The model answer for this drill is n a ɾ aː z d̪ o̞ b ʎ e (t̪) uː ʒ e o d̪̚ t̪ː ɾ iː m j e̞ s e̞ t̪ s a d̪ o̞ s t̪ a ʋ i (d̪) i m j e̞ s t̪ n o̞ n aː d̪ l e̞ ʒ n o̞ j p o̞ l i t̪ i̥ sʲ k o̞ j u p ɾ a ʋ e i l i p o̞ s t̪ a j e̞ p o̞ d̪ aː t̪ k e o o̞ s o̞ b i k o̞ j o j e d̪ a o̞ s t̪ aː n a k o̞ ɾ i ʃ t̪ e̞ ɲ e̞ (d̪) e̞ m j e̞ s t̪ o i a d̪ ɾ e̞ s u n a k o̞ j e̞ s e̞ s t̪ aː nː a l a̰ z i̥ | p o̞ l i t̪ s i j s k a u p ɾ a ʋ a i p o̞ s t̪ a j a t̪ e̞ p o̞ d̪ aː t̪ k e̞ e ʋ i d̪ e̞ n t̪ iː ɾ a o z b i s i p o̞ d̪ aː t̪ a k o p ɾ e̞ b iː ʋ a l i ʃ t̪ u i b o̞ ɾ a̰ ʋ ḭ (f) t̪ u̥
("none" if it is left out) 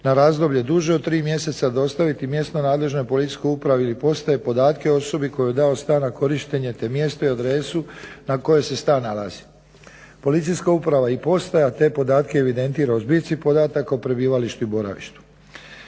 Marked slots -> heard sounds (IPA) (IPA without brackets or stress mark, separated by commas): d̪, t̪, t̪, ʃ